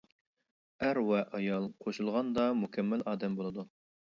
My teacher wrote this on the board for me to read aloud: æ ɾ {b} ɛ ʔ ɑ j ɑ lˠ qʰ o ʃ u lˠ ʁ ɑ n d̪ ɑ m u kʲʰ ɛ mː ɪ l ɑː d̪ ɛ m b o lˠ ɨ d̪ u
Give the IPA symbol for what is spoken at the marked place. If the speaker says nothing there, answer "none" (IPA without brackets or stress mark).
w